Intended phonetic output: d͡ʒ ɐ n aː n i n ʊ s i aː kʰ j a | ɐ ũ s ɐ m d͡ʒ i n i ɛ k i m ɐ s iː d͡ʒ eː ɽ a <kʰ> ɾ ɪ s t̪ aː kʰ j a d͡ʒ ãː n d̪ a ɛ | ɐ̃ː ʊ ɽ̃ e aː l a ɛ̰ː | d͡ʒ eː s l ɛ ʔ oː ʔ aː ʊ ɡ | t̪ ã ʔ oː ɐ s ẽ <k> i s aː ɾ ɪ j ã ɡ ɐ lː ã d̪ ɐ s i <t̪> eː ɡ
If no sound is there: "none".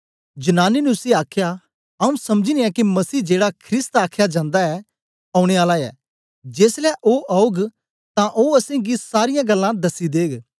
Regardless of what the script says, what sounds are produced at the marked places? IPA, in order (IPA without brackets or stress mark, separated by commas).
kʰ, ɡ, d̪